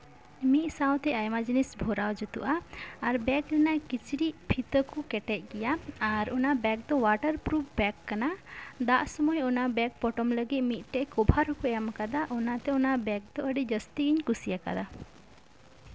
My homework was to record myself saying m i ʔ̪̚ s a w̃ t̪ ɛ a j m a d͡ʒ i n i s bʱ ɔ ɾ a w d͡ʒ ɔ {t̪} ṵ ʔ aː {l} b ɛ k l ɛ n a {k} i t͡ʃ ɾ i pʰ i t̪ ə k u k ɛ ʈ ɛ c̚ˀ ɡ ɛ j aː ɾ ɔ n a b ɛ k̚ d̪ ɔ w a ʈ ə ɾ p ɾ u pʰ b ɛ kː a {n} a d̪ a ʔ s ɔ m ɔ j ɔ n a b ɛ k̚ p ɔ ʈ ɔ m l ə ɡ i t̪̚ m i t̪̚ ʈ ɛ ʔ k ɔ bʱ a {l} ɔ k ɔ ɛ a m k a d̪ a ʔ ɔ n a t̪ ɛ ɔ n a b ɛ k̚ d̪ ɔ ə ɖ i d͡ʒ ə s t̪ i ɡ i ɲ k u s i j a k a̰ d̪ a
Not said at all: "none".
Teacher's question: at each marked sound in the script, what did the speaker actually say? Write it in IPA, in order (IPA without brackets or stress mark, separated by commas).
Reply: t̪, ɾ, k, n, ɾ